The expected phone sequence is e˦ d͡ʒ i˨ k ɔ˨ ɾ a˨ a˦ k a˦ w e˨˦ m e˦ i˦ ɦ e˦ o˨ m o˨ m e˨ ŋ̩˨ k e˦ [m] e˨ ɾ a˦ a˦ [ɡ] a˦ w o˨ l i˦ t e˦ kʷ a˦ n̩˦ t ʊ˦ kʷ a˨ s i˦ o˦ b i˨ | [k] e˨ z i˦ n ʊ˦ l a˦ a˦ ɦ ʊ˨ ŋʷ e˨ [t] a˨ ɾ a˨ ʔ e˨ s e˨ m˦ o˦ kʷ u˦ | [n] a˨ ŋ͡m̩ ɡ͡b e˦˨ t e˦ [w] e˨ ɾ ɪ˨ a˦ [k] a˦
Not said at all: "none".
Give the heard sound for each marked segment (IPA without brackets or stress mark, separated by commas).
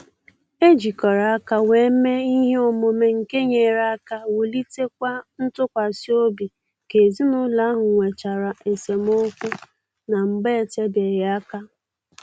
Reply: ɲ, k, k, t͡ʃ, n, b, k